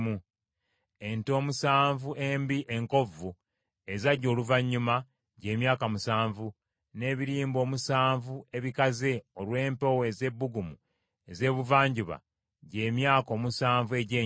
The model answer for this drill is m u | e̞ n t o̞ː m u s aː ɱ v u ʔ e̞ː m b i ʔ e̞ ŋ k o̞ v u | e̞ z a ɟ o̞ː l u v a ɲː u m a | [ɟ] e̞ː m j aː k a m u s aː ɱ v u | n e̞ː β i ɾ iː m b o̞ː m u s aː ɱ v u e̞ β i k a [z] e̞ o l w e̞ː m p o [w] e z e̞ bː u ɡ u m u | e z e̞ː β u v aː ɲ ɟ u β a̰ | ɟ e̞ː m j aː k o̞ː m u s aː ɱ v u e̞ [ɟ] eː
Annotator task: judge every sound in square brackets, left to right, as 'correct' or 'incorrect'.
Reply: correct, correct, correct, correct

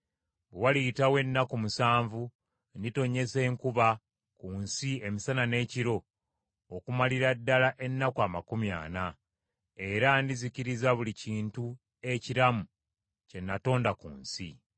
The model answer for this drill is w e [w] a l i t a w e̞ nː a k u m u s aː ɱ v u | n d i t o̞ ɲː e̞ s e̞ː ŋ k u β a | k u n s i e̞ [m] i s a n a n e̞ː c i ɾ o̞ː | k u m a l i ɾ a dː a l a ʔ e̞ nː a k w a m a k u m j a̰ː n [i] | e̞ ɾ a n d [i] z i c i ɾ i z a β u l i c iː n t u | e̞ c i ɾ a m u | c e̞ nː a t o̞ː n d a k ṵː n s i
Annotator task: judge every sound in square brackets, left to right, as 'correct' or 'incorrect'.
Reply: correct, correct, incorrect: a, correct

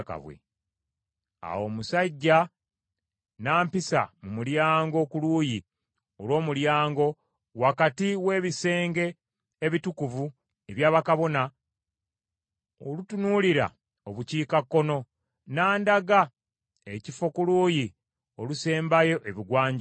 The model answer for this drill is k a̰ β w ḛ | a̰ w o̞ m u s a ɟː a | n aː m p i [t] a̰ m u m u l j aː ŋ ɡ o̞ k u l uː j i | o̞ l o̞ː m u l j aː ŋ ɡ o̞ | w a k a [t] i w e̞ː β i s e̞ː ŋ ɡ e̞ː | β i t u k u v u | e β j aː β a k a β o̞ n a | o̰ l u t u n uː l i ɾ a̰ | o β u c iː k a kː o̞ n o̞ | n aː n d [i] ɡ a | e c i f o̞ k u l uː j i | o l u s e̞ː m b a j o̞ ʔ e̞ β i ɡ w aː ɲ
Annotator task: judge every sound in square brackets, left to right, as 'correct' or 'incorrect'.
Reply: incorrect: s, correct, incorrect: a

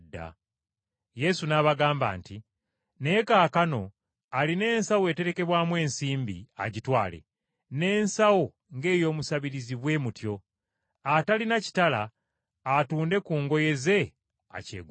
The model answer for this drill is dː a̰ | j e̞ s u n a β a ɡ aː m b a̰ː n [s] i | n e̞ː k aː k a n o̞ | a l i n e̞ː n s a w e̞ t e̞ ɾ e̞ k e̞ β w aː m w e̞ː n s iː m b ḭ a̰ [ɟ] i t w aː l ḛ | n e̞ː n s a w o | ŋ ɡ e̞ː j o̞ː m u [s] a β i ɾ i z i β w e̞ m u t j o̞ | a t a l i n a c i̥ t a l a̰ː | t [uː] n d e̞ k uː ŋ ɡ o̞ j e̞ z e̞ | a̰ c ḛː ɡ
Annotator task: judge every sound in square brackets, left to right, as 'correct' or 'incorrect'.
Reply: incorrect: t, correct, correct, correct

